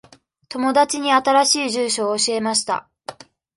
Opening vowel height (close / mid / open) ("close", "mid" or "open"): mid